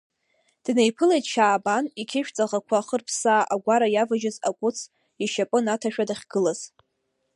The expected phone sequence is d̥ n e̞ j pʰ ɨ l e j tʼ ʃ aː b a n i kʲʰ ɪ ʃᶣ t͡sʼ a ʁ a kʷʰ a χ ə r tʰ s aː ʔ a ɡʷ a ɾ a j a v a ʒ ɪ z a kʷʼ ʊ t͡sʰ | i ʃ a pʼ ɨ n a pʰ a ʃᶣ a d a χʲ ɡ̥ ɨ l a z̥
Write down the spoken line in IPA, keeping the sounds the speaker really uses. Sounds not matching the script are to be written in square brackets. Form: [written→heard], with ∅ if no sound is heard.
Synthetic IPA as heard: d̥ n e̞ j pʰ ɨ l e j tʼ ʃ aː b a n i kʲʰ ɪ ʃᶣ t͡sʼ a ʁ a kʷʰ a χ ə r [tʰ→pʰ] s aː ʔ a ɡʷ a ɾ a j a v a ʒ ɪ z a kʷʼ ʊ t͡sʰ | i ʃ a pʼ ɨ n a [pʰ→tʰ] a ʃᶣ a d a χʲ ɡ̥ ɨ l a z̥